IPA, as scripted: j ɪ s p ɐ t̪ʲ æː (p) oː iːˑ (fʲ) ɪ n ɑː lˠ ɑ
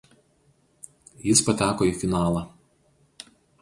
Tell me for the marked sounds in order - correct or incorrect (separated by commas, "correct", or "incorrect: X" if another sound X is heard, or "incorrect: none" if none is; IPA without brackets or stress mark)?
incorrect: k, correct